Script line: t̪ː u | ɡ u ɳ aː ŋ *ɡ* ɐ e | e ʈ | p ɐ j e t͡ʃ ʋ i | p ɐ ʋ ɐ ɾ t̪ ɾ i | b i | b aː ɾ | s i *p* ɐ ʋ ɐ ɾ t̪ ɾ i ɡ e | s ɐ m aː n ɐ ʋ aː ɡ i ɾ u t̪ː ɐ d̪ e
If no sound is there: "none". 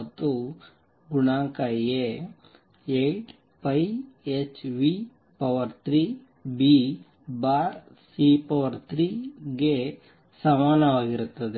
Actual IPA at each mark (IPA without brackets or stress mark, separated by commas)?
k, p